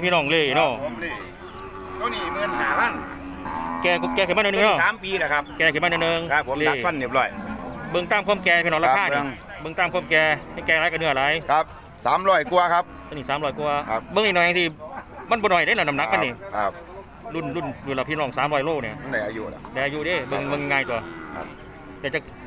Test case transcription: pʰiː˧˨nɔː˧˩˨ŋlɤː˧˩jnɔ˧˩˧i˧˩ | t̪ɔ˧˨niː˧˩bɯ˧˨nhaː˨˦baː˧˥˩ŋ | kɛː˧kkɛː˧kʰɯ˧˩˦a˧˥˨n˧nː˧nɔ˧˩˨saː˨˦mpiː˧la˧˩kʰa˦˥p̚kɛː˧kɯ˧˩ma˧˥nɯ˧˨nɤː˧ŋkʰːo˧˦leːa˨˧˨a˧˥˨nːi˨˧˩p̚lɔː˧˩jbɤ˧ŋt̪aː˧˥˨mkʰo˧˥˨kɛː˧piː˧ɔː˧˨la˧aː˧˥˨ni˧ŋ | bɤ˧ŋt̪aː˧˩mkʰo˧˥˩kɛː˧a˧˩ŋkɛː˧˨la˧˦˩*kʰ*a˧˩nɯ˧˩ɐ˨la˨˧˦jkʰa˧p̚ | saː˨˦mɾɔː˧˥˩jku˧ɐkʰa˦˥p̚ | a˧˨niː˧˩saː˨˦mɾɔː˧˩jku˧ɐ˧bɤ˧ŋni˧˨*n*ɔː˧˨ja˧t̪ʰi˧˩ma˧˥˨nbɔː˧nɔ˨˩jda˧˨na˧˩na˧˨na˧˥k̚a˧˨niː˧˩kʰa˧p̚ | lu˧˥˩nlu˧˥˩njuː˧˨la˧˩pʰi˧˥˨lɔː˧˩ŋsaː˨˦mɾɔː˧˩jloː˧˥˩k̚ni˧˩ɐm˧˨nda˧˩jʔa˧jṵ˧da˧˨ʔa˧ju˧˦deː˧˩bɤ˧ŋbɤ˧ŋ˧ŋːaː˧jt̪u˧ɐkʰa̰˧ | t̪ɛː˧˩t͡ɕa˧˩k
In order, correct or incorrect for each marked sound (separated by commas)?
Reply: incorrect, correct